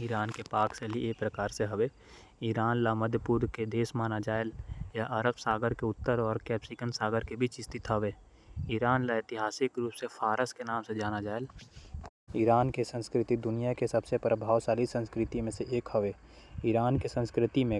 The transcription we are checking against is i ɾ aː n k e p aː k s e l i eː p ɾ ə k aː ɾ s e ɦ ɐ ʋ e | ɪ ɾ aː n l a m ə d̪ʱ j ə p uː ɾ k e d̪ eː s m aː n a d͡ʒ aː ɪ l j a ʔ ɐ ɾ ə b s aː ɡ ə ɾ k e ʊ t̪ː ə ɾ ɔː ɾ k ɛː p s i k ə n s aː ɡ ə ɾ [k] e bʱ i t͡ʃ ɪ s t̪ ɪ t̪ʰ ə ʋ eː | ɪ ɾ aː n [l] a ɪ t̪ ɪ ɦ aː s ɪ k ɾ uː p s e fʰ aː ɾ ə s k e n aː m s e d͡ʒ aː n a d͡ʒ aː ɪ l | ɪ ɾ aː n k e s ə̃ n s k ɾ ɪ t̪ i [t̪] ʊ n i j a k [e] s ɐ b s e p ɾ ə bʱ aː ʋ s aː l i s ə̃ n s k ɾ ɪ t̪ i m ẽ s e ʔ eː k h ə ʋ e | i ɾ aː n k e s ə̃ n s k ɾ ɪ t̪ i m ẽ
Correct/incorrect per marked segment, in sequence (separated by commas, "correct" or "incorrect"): correct, correct, incorrect, correct